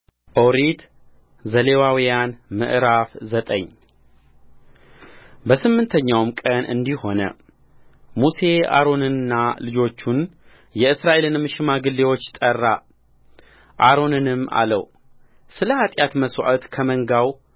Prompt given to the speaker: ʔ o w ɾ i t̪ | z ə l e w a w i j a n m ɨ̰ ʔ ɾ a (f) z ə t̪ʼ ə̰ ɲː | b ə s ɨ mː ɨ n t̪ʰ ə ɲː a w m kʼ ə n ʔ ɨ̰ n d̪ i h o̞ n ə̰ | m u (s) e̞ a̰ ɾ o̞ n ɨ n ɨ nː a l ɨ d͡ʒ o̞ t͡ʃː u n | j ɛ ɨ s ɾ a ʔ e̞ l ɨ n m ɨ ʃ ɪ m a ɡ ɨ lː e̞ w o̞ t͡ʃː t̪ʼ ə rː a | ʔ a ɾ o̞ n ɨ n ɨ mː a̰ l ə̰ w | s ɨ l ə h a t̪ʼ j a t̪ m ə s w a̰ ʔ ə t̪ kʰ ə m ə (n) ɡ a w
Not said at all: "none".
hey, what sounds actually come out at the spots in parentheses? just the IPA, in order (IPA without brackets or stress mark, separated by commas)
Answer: f, s, ŋ